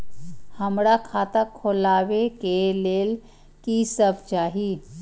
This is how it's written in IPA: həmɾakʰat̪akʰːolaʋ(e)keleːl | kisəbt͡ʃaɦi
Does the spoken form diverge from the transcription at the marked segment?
no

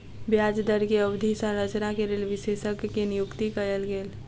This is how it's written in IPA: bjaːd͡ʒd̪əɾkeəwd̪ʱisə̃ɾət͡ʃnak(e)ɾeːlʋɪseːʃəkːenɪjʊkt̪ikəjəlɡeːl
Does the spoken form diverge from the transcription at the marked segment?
no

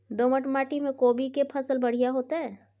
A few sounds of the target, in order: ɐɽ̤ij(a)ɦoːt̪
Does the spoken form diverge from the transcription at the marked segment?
no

